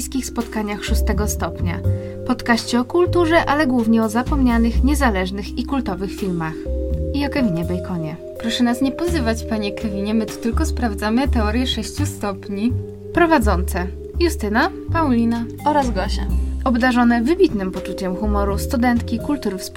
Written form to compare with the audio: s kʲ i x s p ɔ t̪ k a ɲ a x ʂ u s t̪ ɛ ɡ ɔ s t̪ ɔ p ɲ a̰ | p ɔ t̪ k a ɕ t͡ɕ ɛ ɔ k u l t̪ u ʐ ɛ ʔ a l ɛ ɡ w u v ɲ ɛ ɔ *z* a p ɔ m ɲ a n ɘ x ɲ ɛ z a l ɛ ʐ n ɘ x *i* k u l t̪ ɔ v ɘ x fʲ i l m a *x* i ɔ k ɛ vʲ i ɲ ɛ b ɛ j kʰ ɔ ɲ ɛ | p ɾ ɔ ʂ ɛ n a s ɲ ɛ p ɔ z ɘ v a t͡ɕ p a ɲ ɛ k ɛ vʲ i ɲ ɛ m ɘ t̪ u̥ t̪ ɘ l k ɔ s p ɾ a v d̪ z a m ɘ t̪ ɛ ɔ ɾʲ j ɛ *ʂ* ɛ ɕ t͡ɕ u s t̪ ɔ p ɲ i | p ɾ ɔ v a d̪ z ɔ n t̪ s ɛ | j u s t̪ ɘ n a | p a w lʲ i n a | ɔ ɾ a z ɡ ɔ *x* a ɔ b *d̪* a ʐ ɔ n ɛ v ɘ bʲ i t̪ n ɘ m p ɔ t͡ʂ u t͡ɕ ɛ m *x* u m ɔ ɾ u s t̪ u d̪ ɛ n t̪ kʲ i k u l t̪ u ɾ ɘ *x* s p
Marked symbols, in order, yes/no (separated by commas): yes, yes, yes, yes, no, yes, yes, no